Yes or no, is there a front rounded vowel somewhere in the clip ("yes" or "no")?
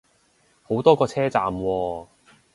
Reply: no